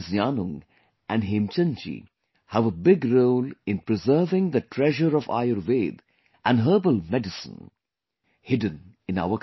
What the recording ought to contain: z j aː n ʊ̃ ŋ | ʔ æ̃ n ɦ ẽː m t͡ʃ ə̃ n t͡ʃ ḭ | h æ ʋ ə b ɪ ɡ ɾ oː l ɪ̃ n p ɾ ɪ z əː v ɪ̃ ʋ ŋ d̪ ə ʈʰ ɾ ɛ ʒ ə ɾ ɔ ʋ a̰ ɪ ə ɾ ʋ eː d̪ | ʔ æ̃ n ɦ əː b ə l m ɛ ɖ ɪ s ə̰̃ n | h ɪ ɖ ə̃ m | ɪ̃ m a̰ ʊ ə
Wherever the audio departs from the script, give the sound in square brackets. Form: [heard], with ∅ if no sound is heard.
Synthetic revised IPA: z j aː n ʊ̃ ŋ | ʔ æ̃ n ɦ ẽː m t͡ʃ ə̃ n t͡ʃ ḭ | h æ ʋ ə b ɪ ɡ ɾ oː l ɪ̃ n p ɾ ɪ z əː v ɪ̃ [∅] ŋ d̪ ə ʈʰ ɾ ɛ ʒ ə ɾ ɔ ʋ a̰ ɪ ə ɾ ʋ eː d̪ | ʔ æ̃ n ɦ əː b ə l m ɛ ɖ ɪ s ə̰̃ n | h ɪ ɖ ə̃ [n] | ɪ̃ [n] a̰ ʊ ə